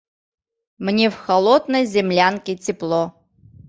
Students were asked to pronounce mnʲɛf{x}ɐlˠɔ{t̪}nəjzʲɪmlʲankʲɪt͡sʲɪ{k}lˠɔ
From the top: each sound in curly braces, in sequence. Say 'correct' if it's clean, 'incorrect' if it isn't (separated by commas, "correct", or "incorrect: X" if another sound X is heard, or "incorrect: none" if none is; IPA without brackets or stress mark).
correct, incorrect: d̪, incorrect: p